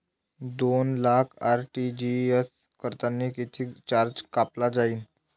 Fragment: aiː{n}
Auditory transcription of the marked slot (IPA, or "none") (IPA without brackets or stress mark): n